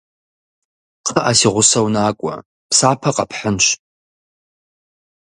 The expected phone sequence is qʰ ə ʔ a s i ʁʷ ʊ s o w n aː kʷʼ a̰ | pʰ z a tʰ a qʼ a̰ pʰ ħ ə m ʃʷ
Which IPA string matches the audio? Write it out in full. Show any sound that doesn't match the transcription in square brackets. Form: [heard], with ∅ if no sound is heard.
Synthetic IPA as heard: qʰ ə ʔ a s i ʁʷ ʊ s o w n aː kʷʼ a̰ | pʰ [s] a [pʰ] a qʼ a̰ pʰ ħ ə [n] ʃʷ